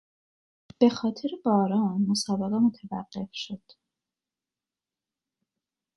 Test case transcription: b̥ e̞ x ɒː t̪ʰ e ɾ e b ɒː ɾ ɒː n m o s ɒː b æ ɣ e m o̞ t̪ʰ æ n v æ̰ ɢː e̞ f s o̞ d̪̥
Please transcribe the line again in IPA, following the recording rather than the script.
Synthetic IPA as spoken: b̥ e̞ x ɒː t̪ʰ e ɾ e b ɒː ɾ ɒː n m o s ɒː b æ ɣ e m o̞ t̪ʰ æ v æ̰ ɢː e̞ f ʃ o̞ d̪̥